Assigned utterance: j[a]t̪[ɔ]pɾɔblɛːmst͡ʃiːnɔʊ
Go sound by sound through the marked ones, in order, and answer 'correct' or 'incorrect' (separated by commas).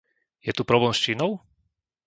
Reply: incorrect, incorrect